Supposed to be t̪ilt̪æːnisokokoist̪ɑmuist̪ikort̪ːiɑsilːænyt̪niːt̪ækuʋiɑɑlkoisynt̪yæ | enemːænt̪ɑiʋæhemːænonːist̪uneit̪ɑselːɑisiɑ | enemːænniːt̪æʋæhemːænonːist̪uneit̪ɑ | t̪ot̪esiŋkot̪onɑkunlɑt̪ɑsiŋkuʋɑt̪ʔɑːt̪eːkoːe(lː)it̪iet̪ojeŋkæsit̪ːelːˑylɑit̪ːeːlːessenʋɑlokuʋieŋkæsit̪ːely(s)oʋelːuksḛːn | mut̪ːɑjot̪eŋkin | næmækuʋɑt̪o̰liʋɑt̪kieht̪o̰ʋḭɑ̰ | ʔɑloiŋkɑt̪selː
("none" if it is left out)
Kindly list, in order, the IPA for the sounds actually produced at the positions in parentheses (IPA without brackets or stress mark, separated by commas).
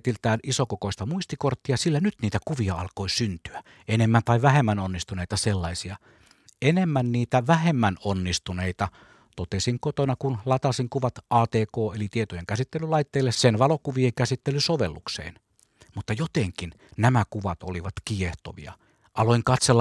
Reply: l, s